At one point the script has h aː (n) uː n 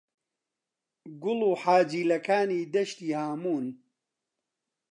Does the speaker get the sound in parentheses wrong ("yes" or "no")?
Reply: yes